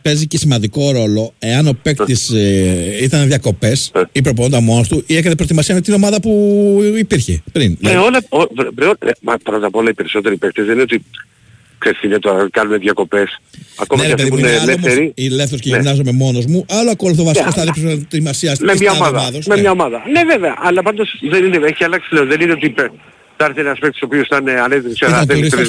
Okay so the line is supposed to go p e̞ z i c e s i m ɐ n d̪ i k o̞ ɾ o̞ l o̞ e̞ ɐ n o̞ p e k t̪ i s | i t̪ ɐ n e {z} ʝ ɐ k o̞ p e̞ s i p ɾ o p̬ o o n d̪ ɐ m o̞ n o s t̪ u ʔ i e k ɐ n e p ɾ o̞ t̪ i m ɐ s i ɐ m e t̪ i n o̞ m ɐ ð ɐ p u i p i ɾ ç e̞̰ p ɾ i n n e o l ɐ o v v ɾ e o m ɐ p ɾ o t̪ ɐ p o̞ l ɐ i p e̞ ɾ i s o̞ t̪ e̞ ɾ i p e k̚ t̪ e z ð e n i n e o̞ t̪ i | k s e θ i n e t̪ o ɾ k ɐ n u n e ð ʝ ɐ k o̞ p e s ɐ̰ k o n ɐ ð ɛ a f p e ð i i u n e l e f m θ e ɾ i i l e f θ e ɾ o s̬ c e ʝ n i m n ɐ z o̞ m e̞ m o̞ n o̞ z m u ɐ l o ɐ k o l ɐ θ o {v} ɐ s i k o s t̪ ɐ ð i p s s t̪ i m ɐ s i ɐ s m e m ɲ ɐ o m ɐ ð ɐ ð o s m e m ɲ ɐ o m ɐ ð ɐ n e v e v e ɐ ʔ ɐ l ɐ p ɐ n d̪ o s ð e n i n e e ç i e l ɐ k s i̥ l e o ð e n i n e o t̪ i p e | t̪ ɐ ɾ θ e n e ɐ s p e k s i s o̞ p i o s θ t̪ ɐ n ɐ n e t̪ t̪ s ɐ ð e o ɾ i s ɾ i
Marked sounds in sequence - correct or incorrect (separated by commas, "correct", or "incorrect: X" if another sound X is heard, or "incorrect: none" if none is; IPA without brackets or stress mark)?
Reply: incorrect: ð, correct